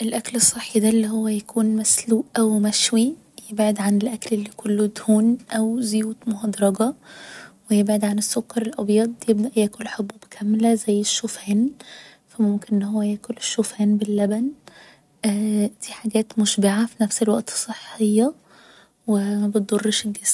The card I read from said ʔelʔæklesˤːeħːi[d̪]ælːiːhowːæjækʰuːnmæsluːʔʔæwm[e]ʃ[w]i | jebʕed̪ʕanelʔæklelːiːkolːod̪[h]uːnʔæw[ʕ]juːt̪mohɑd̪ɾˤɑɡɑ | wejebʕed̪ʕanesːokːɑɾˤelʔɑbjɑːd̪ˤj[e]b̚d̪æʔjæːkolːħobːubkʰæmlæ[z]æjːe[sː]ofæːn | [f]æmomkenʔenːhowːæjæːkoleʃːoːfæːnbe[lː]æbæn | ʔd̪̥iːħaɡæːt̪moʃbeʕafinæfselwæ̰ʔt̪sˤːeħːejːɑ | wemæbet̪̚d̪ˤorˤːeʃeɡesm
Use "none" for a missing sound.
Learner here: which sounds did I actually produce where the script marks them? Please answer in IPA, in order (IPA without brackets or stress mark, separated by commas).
d̪, æ, w, h, z, e, z, ʃː, f, lː